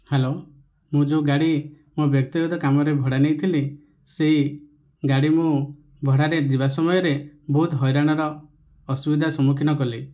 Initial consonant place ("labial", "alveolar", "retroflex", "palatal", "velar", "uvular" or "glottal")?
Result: glottal